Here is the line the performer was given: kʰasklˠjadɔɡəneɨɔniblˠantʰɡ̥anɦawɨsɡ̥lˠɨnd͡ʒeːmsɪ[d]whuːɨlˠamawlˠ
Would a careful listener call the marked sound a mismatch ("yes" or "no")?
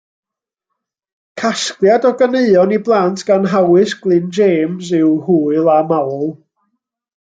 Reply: yes